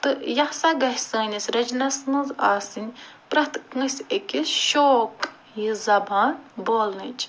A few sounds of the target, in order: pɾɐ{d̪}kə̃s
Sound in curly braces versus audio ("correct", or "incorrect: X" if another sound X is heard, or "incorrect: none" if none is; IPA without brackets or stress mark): incorrect: t̪